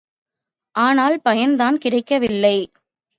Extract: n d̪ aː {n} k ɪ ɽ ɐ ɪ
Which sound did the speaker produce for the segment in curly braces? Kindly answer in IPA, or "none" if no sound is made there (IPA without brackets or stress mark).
n